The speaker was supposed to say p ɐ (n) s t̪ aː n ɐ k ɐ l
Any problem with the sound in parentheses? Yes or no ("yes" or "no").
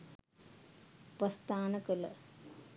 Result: yes